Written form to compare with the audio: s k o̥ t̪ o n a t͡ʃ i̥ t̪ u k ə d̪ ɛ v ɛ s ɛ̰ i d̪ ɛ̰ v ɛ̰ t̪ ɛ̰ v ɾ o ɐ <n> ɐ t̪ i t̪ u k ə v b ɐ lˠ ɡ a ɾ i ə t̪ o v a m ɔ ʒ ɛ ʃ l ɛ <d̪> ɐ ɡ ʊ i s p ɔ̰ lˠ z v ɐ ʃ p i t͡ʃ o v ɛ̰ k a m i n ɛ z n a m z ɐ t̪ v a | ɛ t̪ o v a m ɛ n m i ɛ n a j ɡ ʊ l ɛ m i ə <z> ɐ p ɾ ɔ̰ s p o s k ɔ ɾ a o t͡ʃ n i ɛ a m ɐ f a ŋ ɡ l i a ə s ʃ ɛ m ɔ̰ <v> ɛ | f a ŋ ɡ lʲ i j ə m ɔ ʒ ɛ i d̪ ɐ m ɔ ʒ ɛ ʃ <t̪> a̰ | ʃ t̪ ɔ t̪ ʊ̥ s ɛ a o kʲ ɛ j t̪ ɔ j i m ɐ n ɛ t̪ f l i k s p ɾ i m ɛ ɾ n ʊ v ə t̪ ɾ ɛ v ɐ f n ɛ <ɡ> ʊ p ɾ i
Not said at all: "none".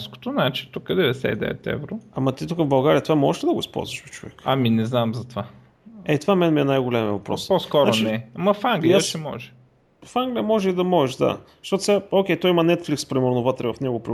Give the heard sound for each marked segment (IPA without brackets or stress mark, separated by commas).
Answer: m, d̪, v, ʒ, d̪, ɡ